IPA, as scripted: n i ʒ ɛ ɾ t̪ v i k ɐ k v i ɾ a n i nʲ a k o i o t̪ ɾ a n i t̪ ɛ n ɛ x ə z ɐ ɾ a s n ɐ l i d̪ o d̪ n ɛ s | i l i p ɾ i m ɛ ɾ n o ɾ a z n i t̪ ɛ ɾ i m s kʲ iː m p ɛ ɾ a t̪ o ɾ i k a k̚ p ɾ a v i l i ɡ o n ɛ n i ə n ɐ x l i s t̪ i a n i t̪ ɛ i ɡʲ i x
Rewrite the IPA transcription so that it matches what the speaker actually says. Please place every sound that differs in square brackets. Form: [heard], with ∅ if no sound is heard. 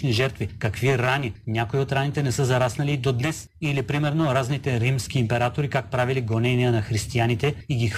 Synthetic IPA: n i ʒ ɛ ɾ t̪ v i k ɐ k v i ɾ a n i nʲ a k o i o t̪ ɾ a n i t̪ ɛ n ɛ [s] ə z ɐ ɾ a s n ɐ l i d̪ o d̪ n ɛ s | i l i p ɾ i m ɛ ɾ n o ɾ a z n i t̪ ɛ ɾ i m s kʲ iː m p ɛ ɾ a t̪ o ɾ i k a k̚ p ɾ a v i l i ɡ o n ɛ n i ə n ɐ x [ɾ] i s t̪ i a n i t̪ ɛ i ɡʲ i x